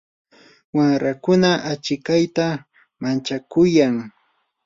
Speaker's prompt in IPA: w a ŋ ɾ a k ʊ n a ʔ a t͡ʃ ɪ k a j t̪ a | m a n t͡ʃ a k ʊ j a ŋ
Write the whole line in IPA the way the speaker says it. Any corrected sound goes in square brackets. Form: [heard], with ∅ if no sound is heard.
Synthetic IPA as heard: w a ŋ ɾ a k ʊ n a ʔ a t͡ʃ ɪ k a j t̪ a | m a n t͡ʃ a k ʊ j a ŋ